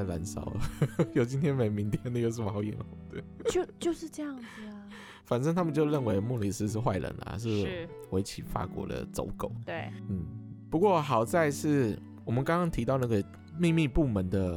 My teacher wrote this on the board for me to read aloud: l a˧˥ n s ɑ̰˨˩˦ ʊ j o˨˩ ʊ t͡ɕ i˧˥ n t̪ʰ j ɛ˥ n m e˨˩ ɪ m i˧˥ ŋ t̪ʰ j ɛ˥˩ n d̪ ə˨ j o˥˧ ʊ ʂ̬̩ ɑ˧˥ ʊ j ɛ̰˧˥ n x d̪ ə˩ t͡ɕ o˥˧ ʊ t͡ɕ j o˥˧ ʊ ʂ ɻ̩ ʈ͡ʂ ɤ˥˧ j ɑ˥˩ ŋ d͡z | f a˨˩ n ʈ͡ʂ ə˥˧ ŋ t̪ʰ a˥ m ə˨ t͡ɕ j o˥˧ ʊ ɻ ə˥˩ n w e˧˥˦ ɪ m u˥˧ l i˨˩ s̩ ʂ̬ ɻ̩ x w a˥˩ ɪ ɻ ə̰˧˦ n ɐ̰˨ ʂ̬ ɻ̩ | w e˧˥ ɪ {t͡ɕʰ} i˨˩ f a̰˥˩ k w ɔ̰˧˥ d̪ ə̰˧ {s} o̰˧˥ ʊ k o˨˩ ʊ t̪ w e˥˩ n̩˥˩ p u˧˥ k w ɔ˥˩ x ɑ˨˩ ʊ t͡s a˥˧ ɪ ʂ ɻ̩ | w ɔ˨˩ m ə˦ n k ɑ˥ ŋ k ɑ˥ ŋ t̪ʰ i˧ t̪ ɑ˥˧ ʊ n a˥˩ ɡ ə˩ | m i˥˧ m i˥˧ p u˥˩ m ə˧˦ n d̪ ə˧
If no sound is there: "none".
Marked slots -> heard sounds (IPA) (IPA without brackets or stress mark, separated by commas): t͡ɕʰ, t͡s